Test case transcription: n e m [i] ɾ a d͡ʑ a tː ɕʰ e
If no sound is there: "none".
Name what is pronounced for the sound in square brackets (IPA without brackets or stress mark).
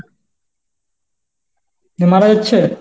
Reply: a